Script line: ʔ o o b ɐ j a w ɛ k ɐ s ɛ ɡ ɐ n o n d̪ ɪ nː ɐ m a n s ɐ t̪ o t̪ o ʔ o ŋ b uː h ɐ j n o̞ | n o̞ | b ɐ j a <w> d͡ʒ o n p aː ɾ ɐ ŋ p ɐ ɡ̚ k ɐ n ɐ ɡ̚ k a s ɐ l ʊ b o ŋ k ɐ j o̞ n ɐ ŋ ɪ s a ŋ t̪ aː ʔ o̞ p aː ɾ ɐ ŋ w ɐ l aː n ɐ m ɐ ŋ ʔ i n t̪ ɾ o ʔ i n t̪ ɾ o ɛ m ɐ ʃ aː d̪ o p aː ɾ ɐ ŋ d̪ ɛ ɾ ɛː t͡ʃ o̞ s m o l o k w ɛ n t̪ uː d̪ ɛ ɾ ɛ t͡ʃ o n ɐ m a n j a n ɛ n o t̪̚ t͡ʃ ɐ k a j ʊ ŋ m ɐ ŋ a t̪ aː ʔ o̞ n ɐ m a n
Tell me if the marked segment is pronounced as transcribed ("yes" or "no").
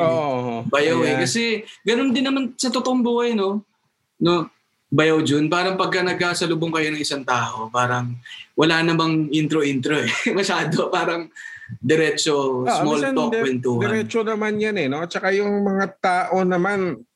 yes